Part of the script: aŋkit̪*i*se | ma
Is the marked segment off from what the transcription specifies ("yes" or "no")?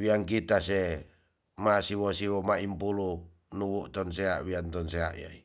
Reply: yes